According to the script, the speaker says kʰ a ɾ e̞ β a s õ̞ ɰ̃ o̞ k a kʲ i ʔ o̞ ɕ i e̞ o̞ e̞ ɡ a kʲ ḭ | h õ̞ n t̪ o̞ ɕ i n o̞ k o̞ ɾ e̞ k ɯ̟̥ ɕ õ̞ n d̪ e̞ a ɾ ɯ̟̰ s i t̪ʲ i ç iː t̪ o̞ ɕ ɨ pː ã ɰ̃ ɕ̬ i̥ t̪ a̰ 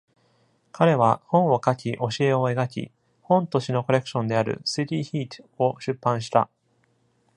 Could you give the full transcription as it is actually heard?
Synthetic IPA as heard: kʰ a ɾ e̞ β a h õ̞ ɰ̃ o̞ k a kʲ i ʔ o̞ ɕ i e̞ o̞ e̞ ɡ a kʲ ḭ | h õ̞ n t̪ o̞ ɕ i n o̞ k o̞ ɾ e̞ k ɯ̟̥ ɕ õ̞ n d̪ e̞ a ɾ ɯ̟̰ s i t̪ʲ i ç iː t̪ o̞ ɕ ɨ pː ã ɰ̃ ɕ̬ i̥ t̪ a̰